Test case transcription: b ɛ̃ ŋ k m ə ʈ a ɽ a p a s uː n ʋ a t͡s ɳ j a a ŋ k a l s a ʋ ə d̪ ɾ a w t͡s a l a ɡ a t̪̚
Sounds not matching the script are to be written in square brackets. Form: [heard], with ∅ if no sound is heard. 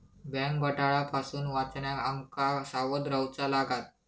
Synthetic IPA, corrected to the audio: b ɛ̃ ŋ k [b] ə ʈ a [ɭ] a p a s uː n ʋ a t͡s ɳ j a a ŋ k a [∅] s a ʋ ə d̪ ɾ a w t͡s a l a ɡ a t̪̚